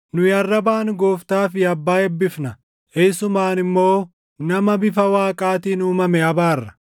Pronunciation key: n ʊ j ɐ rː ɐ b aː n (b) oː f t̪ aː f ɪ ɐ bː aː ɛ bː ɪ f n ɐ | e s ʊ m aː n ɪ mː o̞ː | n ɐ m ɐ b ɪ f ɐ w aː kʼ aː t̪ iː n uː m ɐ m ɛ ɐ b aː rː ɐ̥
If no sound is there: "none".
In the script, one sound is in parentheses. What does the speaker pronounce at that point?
ɡ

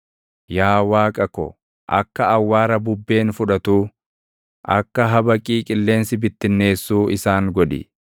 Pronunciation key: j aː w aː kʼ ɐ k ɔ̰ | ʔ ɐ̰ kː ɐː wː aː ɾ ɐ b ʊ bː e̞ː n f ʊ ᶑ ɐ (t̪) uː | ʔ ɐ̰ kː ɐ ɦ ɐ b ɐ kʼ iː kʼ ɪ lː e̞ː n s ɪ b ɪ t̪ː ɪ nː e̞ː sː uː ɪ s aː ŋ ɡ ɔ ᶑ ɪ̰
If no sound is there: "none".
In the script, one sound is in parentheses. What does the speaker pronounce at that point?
t̪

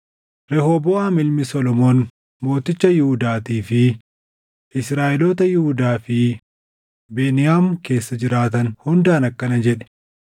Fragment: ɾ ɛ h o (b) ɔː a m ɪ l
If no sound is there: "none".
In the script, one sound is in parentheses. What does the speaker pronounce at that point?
b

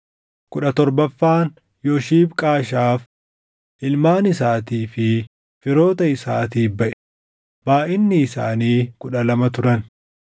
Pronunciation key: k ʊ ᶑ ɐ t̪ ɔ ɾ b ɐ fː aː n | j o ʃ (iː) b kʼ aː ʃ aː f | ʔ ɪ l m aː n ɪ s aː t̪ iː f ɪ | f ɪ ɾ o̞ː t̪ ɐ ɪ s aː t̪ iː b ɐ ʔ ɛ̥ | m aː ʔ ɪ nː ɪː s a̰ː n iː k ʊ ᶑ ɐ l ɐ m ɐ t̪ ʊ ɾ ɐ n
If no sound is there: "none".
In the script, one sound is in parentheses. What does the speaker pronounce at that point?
iː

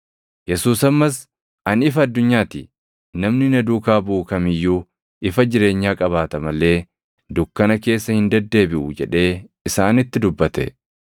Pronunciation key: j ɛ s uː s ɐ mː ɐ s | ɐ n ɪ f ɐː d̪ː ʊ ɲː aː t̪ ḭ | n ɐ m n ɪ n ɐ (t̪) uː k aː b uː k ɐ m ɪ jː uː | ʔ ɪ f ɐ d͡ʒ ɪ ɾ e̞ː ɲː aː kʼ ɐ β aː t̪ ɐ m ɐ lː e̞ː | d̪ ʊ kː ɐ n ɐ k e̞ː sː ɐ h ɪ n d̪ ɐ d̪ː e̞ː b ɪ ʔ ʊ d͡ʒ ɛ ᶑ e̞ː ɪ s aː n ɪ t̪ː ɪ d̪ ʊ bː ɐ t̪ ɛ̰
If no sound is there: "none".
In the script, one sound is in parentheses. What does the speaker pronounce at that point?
d̪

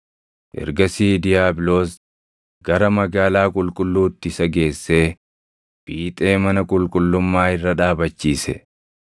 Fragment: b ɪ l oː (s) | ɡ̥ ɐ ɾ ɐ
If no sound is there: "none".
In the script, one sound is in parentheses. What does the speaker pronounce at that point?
s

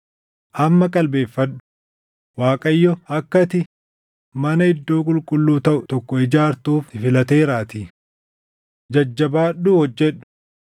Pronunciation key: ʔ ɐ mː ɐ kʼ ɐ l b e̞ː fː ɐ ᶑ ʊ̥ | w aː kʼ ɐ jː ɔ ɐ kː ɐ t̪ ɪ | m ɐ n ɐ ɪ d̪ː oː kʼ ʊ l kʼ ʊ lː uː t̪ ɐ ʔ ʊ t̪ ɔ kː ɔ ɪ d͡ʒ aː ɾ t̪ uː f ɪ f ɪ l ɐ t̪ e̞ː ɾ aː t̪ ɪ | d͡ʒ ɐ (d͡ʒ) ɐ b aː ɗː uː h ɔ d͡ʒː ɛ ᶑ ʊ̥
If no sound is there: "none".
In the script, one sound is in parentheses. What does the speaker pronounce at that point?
d͡ʒː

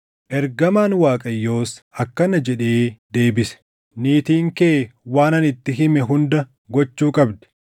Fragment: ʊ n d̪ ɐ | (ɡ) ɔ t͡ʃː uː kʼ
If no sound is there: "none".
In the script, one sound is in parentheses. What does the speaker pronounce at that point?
ɡ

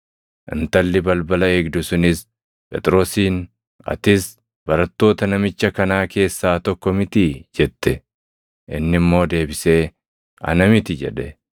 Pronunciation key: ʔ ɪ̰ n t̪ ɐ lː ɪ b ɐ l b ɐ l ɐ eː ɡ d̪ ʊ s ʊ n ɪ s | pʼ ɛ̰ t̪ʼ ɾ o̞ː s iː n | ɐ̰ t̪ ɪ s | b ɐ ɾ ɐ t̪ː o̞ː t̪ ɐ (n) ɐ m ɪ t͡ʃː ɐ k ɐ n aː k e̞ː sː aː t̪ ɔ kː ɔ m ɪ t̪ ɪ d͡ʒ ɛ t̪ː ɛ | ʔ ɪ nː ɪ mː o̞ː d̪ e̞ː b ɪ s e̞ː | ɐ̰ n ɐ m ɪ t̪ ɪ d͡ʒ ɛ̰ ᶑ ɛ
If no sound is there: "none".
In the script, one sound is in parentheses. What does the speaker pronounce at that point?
n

